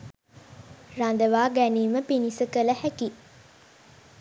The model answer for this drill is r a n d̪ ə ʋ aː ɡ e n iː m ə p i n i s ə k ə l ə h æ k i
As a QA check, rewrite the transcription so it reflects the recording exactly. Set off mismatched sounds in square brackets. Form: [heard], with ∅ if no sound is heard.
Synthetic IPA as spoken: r a n d̪ ə ʋ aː ɡ [æ] n iː m ə p i n i s ə k ə l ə h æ k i